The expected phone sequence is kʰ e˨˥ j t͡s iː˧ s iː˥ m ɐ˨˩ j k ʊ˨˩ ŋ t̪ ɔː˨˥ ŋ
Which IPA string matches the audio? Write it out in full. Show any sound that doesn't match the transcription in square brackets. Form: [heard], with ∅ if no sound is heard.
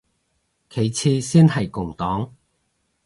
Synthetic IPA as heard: kʰ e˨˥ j [t͡sʰ] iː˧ s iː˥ [n] ɐ˨˩ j k ʊ˨˩ ŋ t̪ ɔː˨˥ ŋ